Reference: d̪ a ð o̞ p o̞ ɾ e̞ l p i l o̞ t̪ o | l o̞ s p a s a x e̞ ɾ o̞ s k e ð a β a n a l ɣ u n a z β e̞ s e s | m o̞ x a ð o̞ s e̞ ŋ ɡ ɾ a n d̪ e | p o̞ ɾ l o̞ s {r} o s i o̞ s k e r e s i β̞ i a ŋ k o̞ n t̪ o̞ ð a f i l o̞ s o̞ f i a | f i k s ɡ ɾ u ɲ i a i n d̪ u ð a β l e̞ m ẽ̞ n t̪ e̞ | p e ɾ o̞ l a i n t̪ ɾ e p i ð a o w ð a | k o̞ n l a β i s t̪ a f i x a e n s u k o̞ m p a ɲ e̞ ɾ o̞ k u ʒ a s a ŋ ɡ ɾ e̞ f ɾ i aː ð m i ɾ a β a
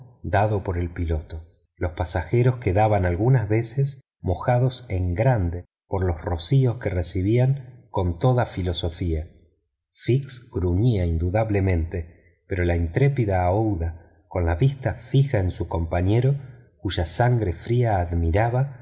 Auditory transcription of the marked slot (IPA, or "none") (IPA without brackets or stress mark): r